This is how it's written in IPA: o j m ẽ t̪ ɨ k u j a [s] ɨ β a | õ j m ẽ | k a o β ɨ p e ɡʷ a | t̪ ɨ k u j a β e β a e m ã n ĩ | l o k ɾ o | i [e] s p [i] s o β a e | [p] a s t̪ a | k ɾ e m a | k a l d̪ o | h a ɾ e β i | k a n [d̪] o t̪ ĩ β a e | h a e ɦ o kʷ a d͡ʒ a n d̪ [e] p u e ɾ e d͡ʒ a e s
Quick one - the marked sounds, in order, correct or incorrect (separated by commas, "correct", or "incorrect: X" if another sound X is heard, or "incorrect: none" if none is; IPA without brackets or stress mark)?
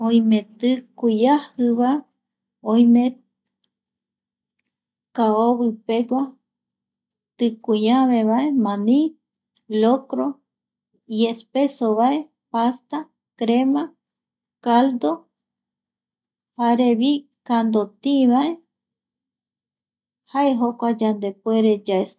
incorrect: h, correct, incorrect: e, correct, correct, correct